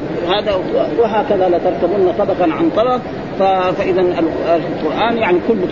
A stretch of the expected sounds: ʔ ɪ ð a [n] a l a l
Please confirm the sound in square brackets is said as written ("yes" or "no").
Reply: yes